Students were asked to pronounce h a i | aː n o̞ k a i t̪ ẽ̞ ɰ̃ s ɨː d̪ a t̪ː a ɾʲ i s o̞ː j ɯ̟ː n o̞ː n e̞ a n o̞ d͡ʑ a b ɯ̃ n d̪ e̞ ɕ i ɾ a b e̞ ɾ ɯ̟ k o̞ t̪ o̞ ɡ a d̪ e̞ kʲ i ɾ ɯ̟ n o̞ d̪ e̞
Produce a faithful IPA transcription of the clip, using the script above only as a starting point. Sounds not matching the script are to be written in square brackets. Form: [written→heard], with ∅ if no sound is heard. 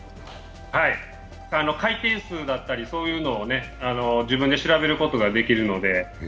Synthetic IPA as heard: h a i | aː n o̞ k a i t̪ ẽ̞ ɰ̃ s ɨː d̪ a t̪ː a ɾʲ i s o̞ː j ɯ̟ː n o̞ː n e̞ a n o̞ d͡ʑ [a→i] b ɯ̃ n d̪ e̞ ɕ i ɾ a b e̞ ɾ ɯ̟ k o̞ t̪ o̞ ɡ a d̪ e̞ kʲ i ɾ ɯ̟ n o̞ d̪ e̞